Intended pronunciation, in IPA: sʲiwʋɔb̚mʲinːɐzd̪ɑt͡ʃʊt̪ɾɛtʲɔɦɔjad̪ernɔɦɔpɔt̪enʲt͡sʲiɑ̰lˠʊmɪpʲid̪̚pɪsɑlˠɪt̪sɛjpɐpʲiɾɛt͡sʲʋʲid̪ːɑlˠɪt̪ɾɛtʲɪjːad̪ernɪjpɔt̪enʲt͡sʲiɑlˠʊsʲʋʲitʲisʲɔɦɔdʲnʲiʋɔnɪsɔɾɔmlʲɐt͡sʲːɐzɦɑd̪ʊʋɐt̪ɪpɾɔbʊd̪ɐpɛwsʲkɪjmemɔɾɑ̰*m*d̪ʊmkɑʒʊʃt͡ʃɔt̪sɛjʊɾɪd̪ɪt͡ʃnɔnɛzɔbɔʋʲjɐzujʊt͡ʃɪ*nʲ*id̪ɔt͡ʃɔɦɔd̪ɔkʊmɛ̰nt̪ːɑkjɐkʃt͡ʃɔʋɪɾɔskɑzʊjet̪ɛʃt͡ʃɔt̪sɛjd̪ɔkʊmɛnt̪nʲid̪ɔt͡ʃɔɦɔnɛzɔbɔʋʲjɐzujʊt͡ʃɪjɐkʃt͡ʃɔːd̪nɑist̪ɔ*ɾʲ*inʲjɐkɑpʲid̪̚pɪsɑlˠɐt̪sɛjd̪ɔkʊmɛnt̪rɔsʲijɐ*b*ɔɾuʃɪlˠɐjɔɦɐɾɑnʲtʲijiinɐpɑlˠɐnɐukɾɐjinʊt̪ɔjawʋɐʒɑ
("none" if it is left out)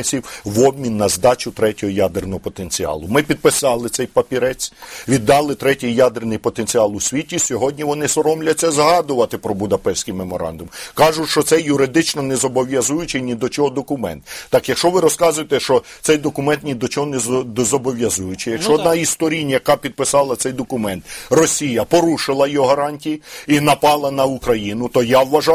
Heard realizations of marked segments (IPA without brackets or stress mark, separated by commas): n, nʲ, ɾʲ, p